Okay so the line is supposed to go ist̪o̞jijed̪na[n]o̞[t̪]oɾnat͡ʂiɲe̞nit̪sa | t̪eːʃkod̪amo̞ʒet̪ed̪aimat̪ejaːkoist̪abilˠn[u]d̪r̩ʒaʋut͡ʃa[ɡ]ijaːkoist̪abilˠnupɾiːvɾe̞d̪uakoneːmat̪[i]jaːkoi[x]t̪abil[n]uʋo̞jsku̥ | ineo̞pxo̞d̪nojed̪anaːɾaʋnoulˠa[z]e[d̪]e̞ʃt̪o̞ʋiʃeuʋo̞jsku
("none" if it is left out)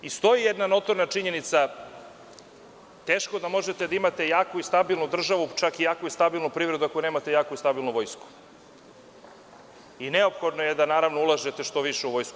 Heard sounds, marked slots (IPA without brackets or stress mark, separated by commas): n, t̪, u, k, e, s, n, ʒ, t̪